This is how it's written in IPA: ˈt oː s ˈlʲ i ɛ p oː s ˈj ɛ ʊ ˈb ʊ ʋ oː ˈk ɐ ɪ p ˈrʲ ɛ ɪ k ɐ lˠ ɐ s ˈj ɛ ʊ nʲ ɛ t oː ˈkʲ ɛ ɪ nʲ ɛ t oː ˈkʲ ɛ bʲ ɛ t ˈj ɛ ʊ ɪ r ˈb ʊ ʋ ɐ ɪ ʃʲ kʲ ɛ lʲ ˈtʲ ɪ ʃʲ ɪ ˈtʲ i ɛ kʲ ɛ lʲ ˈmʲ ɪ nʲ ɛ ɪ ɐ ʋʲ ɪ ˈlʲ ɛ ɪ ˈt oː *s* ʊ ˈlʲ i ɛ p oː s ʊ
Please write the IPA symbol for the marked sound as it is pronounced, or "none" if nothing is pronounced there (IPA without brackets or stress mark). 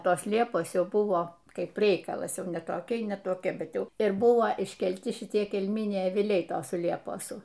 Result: s